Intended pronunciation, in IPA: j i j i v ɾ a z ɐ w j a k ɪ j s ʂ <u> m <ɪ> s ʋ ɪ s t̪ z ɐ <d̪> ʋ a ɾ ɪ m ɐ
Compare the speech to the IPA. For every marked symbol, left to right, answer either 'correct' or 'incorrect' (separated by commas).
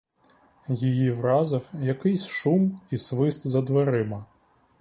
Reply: correct, incorrect, correct